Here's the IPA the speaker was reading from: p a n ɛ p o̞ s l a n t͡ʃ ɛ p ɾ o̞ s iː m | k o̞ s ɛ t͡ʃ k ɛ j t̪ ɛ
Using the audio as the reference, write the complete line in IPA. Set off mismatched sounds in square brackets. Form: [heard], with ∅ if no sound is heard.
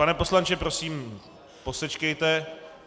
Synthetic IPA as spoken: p a n ɛ p o̞ s l a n t͡ʃ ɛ p ɾ o̞ s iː m | [p] o̞ s ɛ t͡ʃ k ɛ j t̪ ɛ